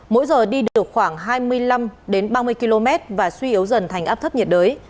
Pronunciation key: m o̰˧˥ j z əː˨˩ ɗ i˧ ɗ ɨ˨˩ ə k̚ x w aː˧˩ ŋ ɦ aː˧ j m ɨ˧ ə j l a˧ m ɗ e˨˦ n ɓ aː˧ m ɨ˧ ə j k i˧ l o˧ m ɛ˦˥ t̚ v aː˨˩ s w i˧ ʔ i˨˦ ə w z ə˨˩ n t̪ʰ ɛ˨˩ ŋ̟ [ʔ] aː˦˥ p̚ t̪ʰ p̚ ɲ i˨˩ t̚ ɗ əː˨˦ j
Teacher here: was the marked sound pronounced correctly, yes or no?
yes